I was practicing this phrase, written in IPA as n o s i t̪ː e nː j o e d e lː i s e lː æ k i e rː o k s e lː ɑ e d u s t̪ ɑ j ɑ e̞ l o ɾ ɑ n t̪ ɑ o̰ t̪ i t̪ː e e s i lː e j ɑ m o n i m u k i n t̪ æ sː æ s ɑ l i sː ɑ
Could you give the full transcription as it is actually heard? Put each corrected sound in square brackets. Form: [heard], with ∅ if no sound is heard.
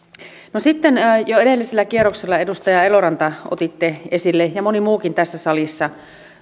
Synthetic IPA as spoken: n o s i t̪ː e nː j o e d e lː i s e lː æ k i e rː o k s e lː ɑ e d u s t̪ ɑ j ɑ e̞ l o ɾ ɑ n t̪ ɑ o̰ t̪ i t̪ː e e s i lː e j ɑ m o n i m [uː] k i n t̪ æ sː æ s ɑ l i sː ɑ